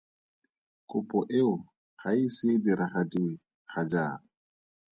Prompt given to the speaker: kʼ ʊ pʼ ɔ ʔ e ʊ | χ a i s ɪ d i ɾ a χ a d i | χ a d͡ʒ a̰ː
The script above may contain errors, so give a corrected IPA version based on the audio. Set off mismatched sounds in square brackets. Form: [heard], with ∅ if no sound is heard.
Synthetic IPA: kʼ ʊ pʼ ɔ ʔ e ʊ | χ a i s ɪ d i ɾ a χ a d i | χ a d͡ʒ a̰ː

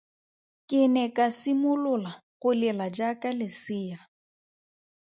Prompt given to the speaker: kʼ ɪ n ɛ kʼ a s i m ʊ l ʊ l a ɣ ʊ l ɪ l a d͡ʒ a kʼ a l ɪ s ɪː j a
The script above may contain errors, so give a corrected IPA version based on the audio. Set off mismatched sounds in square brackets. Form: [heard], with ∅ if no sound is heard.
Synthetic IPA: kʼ ɪ n ɛ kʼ a s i m ʊ l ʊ l a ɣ ʊ l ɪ l a d͡ʒ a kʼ a l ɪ s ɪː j a

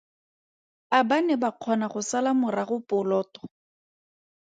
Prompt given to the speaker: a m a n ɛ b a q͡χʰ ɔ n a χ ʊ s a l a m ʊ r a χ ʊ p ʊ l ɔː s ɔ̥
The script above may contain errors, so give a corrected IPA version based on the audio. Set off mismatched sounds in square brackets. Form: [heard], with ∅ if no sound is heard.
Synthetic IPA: a [b] a n ɛ b a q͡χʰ ɔ n a χ ʊ s a l a m ʊ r a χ ʊ p ʊ l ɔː [t] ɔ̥

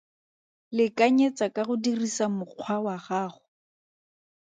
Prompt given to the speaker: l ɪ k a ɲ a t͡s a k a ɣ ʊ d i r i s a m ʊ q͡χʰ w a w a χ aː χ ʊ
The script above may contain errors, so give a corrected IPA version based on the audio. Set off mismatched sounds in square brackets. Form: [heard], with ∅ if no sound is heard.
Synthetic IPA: l ɪ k a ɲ [e] t͡s a k a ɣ ʊ d i r i s a m ʊ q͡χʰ w a w a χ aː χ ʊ

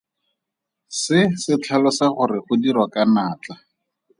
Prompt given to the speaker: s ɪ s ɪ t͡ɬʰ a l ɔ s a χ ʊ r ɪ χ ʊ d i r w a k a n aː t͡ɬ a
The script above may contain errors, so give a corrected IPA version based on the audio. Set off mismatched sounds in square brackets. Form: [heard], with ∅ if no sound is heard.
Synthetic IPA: s ɪ s ɪ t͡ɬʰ a l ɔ s a χ ʊ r ɪ χ ʊ d i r w a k a n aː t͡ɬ a

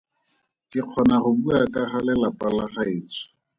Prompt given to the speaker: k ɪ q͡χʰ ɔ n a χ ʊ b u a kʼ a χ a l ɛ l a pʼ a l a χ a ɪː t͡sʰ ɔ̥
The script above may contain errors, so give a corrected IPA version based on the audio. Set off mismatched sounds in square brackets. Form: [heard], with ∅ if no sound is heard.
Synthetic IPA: k ɪ q͡χʰ ɔ n a χ ʊ b u a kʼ a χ a l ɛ l a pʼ a l a χ a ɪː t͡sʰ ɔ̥

